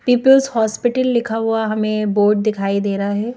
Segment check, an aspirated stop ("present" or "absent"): present